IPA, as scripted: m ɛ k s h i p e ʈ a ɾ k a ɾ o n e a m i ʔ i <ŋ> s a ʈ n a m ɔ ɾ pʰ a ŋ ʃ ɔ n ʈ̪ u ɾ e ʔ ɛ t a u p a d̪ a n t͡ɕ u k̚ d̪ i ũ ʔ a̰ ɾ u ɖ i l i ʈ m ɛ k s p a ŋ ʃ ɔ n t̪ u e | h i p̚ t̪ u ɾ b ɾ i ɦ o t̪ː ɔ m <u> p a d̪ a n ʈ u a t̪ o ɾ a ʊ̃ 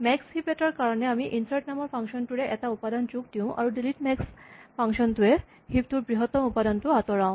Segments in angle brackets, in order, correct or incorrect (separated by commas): incorrect, correct